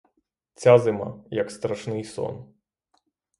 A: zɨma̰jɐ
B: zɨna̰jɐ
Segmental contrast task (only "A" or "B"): A